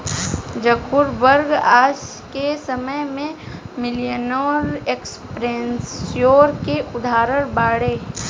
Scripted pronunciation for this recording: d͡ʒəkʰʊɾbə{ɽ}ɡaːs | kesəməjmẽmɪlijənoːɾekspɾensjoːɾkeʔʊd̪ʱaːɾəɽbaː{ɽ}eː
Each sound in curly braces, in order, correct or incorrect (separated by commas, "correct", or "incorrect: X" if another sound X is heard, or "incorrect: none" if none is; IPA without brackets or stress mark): incorrect: ɾ, correct